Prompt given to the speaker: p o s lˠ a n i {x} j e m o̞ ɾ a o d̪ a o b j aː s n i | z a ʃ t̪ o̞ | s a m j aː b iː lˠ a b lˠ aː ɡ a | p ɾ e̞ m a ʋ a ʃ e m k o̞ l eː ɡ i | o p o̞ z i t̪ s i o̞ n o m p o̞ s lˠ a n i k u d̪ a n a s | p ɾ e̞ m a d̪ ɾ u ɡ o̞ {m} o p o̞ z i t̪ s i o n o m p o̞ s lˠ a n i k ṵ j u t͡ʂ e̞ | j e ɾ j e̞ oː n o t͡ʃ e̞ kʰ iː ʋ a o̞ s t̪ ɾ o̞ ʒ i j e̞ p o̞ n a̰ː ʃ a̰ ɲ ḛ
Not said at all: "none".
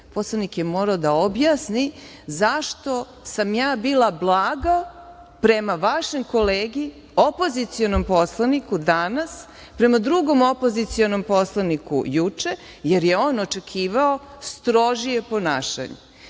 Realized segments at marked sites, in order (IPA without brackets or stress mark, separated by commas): k, m